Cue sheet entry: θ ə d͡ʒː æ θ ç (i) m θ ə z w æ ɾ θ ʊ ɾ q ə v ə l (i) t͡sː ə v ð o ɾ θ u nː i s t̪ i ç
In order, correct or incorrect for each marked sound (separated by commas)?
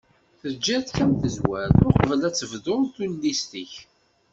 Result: incorrect, incorrect